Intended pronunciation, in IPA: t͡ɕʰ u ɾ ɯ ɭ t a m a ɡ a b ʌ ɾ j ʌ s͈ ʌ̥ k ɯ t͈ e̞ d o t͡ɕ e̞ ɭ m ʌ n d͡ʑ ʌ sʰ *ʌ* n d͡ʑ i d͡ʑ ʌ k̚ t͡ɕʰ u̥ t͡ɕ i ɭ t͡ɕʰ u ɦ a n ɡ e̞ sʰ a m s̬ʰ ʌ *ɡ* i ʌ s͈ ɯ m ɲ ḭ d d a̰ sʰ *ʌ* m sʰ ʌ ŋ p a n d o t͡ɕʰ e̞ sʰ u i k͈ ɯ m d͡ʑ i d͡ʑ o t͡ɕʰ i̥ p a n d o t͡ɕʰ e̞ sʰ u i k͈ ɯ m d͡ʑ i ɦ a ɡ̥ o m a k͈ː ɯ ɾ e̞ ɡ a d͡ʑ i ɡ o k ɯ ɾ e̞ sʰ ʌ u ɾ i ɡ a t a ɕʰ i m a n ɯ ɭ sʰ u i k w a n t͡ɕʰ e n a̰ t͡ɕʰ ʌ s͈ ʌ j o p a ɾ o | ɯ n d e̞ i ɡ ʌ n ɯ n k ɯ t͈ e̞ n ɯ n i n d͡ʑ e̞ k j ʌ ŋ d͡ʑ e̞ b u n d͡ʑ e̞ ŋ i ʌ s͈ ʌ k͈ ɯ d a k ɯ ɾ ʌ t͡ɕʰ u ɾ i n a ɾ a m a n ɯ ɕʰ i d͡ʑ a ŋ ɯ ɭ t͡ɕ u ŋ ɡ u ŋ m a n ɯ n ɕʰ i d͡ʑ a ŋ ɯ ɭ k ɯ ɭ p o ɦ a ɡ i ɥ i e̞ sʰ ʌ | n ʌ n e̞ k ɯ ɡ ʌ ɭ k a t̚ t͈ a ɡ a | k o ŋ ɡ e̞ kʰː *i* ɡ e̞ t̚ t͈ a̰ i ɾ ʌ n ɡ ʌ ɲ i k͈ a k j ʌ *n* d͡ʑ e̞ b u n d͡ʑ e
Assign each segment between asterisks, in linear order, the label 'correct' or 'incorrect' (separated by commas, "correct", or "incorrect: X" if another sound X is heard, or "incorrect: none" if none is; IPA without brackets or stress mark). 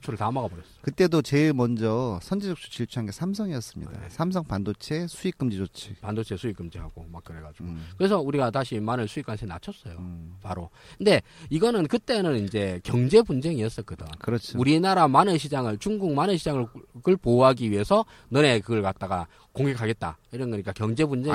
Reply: correct, incorrect: ŋ, incorrect: a, incorrect: a, incorrect: ŋ